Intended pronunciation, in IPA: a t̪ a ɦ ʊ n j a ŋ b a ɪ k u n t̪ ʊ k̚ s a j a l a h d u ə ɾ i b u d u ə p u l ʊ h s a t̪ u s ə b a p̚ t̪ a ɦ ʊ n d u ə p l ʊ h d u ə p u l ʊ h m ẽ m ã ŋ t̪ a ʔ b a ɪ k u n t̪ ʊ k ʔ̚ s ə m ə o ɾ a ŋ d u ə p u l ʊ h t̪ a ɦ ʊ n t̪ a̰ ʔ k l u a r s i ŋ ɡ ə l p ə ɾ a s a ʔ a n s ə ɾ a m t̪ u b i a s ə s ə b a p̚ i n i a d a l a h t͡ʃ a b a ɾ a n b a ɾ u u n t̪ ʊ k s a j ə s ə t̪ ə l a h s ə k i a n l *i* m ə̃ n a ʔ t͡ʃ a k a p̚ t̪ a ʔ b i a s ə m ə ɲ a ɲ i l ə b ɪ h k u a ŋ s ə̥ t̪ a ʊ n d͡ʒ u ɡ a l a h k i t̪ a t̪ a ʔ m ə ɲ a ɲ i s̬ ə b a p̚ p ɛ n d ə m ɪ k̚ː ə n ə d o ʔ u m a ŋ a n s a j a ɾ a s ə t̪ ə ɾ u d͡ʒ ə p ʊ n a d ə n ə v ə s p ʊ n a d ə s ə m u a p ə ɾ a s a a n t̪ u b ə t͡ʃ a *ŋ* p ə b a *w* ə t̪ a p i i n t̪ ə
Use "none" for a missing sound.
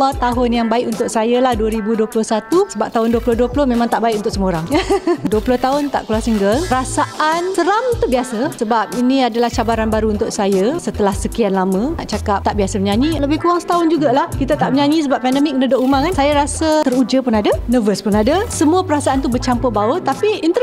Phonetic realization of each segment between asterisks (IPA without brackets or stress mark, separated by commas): a, m, w